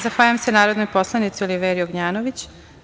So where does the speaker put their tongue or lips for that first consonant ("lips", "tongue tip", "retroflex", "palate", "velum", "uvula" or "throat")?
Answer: tongue tip